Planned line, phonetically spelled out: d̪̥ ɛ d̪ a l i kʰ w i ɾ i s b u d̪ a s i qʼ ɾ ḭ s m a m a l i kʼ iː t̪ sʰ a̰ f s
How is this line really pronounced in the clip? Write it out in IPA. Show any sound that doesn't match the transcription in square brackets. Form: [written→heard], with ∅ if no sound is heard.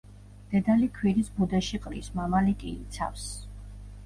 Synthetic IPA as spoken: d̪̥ ɛ d̪ a l i kʰ w i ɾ i s b u d̪ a [s→ʃ] i qʼ ɾ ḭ s m a m a l i kʼ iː t̪ sʰ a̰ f s